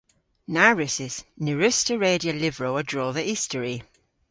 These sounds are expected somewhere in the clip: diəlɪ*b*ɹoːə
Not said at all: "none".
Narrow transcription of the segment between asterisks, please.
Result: v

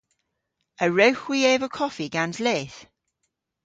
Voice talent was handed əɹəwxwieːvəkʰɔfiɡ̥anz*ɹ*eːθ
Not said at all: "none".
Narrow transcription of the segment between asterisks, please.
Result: l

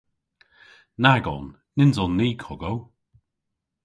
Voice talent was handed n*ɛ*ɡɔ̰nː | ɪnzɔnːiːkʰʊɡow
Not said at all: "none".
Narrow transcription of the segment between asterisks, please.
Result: a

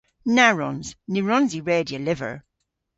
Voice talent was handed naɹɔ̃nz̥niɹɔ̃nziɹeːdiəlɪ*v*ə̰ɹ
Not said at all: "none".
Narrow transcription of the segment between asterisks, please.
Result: v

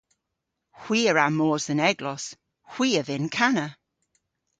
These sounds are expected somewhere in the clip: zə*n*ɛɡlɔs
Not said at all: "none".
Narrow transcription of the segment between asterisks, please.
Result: n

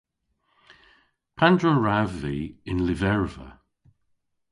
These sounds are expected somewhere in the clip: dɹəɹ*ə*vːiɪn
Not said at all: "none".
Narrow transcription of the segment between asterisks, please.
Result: a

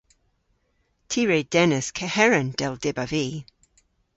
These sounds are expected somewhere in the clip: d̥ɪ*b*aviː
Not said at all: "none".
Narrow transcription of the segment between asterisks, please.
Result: b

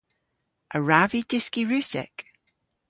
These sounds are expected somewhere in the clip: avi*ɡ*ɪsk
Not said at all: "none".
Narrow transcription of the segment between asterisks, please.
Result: d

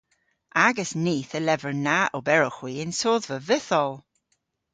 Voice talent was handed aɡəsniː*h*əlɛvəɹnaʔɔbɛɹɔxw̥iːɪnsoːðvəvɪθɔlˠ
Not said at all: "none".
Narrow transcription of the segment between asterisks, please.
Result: θ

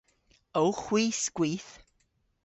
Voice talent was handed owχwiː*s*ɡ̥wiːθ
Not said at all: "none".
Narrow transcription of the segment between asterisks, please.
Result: s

